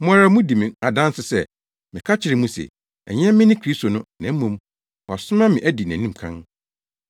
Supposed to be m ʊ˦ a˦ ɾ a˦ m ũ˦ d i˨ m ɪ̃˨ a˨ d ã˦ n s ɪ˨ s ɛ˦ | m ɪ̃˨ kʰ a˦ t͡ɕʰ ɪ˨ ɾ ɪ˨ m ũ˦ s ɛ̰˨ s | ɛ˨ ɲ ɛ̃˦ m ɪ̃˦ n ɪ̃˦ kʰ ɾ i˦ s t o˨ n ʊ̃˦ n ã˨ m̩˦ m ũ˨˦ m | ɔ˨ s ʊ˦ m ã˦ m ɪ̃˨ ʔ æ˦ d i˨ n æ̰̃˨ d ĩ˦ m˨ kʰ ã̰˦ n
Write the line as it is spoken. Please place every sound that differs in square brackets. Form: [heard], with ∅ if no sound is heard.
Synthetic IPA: m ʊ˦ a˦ ɾ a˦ m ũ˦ d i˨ m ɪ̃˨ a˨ d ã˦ n s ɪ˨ s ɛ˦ | m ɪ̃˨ kʰ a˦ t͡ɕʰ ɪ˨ ɾ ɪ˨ m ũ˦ s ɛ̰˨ [∅] | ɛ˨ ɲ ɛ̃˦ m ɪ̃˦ n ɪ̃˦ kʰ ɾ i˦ s t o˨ n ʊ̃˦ n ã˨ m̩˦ m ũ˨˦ m | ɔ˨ s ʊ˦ m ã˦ m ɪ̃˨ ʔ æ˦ d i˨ n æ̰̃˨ [n] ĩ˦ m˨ kʰ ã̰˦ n